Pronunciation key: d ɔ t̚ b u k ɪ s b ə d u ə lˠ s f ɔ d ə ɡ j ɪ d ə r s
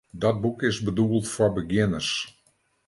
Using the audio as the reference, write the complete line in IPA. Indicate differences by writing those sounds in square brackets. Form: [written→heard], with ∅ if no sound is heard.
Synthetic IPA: d ɔ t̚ b u k ɪ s b ə d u ə lˠ [s→t] f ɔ [d→b] ə ɡ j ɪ [d→n] ə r s